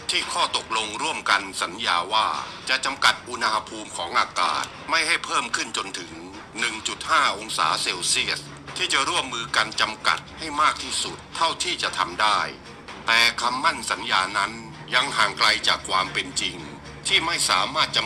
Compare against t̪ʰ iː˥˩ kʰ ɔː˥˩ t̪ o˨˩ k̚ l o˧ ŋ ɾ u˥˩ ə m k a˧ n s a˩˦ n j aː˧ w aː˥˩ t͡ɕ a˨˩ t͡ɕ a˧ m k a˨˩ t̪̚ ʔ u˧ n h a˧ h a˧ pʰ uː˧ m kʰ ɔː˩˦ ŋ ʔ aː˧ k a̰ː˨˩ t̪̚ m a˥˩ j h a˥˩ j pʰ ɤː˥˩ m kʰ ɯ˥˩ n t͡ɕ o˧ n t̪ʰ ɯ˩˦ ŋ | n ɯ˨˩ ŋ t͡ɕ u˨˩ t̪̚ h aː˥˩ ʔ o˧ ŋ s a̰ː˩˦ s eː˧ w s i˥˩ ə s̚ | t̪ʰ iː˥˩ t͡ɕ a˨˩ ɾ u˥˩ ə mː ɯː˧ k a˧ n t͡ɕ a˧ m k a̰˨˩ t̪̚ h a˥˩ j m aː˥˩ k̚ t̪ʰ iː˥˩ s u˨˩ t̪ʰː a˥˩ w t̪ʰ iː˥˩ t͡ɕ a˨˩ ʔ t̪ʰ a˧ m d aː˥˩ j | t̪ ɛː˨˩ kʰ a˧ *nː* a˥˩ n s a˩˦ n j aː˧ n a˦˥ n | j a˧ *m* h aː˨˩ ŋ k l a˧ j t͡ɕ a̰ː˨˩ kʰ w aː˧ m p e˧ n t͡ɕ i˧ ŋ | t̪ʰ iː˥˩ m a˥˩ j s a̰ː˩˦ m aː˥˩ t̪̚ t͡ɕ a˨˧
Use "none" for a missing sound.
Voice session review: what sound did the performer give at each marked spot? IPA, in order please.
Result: mː, ŋ

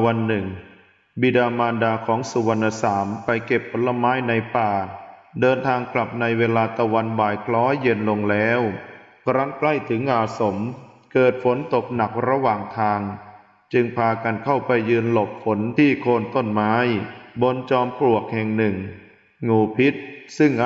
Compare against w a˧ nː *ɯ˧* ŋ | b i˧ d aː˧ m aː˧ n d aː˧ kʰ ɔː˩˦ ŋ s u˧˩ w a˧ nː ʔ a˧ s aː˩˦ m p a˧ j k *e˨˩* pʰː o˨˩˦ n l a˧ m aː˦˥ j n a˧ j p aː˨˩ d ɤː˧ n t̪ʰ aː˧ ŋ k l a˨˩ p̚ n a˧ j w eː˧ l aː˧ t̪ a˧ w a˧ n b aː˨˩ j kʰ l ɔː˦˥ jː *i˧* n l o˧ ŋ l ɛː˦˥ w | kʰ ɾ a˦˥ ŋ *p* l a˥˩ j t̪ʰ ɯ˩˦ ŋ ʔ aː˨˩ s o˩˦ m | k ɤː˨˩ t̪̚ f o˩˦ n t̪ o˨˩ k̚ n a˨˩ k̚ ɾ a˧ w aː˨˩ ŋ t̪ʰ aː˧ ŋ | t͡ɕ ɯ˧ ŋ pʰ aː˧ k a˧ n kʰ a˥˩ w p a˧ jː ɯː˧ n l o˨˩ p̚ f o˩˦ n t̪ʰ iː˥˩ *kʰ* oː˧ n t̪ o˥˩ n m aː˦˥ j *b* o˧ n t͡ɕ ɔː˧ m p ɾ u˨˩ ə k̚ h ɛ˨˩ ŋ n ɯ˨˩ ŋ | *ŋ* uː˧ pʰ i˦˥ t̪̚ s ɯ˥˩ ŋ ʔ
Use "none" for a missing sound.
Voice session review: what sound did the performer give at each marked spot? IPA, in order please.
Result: ɯ˨˩, e˨˩, e˧, k, kʰ, b, ŋ

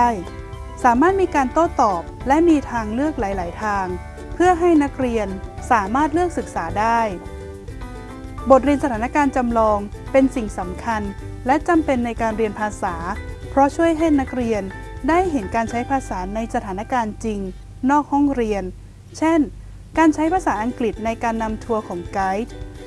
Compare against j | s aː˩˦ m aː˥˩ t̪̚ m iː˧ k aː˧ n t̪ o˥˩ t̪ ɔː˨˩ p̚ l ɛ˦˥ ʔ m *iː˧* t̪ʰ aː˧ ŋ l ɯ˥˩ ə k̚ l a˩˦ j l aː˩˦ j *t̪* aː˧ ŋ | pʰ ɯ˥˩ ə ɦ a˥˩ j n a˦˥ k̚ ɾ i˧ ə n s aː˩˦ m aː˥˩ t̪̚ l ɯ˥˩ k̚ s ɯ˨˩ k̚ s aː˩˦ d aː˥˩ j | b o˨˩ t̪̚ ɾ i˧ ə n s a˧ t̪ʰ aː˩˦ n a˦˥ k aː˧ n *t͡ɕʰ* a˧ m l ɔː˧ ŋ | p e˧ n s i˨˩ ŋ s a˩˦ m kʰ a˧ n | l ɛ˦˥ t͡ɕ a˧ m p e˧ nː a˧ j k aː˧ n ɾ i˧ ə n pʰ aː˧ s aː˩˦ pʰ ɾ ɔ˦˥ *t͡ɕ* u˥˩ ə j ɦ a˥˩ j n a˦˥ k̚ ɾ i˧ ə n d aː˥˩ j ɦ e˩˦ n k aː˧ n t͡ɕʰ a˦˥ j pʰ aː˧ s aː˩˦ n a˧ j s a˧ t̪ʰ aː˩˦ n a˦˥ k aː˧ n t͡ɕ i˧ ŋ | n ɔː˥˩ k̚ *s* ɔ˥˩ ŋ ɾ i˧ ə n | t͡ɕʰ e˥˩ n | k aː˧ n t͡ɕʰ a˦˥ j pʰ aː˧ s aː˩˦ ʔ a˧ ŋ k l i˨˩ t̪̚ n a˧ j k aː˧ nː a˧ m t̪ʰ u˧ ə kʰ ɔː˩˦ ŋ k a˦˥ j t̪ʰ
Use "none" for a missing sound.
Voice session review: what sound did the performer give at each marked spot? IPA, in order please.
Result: iː˧, t̪ʰ, t͡ɕ, t͡ɕʰ, h

